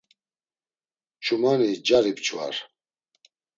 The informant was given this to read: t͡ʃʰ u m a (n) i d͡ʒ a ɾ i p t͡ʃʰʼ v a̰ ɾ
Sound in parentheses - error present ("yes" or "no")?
no